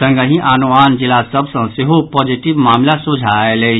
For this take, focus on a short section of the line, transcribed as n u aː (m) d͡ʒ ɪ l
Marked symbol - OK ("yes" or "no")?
no